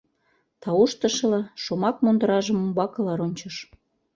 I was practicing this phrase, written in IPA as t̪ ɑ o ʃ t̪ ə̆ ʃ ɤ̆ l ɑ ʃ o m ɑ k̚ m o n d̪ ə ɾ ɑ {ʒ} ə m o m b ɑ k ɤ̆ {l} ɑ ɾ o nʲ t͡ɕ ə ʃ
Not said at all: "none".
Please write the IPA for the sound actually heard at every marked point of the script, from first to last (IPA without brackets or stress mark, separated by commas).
ʒ, l